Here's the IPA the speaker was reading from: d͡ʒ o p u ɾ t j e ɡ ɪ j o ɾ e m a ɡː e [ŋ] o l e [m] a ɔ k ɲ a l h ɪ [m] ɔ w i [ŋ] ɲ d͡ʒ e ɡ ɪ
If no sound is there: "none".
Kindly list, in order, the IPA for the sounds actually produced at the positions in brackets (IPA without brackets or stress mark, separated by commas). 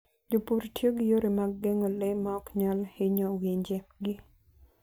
ŋ, m, ɲ, none